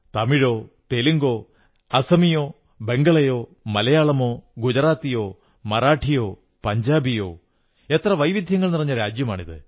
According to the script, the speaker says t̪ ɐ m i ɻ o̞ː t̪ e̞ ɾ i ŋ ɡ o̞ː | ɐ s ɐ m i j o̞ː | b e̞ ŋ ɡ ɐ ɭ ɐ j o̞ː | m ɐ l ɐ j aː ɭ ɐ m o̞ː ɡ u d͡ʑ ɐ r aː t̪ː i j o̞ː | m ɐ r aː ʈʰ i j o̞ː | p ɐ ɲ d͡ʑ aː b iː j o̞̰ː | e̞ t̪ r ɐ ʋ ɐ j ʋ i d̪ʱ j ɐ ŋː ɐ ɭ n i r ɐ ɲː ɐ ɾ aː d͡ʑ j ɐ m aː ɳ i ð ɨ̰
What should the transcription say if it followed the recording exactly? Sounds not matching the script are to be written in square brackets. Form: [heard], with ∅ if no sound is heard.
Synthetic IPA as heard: t̪ ɐ m i ɻ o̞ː t̪ e̞ [l] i ŋ ɡ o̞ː | ɐ s ɐ m i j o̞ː | b e̞ ŋ ɡ ɐ ɭ ɐ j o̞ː | m ɐ l ɐ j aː ɭ ɐ m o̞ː ɡ u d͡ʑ ɐ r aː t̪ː i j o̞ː | m ɐ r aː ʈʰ i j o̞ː | p ɐ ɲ d͡ʑ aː b [i] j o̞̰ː | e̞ t̪ r ɐ ʋ ɐ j ʋ i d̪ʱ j ɐ ŋː ɐ ɭ n i r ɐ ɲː ɐ ɾ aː d͡ʑ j ɐ m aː ɳ i ð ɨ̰